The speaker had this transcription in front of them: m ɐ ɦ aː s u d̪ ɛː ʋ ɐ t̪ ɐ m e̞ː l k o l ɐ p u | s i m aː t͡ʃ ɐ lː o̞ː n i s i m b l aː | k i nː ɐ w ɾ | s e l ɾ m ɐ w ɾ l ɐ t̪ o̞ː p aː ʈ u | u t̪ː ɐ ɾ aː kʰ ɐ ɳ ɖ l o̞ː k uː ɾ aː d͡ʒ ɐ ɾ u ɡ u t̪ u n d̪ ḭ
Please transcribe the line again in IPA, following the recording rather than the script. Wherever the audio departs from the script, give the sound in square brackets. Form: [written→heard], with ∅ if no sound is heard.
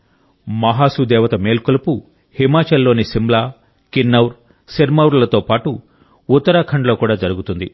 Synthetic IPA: m ɐ ɦ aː s u d̪ ɛː ʋ ɐ t̪ ɐ m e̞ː l k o l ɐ p u | [s→h] i m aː t͡ʃ ɐ lː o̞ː n i s i m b l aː | k i nː ɐ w ɾ | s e [l→∅] ɾ m ɐ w ɾ l ɐ t̪ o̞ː p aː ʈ u | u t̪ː ɐ ɾ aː kʰ ɐ ɳ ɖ l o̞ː k uː [ɾ→ɽ] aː d͡ʒ ɐ ɾ u ɡ u t̪ u n d̪ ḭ

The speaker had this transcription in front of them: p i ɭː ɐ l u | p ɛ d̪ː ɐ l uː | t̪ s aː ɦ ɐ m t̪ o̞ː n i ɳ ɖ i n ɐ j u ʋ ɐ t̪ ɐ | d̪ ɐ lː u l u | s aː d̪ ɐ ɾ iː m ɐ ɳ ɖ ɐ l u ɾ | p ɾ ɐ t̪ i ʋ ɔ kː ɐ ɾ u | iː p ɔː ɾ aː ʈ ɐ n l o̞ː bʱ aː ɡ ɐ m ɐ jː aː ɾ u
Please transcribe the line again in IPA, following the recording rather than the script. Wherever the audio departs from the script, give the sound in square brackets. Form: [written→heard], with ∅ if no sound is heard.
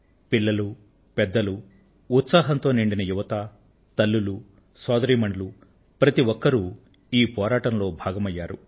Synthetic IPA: p i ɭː ɐ l u | p ɛ d̪ː ɐ l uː | t̪ s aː ɦ ɐ [m→n] t̪ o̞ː n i ɳ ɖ i n ɐ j u ʋ ɐ t̪ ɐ | [d̪→t̪] ɐ lː u l u | s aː d̪ ɐ ɾ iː m ɐ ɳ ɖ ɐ l u [ɾ→∅] | p ɾ ɐ t̪ i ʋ ɔ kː ɐ ɾ u | iː p ɔː ɾ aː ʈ ɐ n l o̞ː bʱ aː ɡ ɐ m ɐ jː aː ɾ u

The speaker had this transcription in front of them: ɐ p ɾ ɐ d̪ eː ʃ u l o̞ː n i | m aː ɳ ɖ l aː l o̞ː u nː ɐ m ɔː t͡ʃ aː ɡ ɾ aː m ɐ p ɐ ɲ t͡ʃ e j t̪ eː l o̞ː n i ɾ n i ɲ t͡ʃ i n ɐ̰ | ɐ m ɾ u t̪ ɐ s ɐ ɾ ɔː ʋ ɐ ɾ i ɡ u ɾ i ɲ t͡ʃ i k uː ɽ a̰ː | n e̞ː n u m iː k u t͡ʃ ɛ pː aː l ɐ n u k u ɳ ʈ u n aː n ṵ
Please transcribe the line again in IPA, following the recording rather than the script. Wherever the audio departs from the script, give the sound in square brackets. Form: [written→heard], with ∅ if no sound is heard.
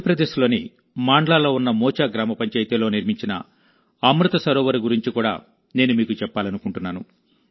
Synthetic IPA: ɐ p ɾ ɐ d̪ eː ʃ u l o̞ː n i | m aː ɳ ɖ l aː l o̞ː u nː ɐ m ɔː t͡ʃ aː ɡ ɾ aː m ɐ p ɐ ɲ t͡ʃ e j t̪ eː l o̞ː n i ɾ [n→m] i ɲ t͡ʃ i n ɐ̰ | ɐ m ɾ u t̪ ɐ s ɐ ɾ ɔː ʋ ɐ ɾ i ɡ u ɾ i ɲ t͡ʃ i k uː ɽ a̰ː | n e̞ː n u m iː k u t͡ʃ ɛ pː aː l ɐ n u k u ɳ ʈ u [n→nː] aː n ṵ

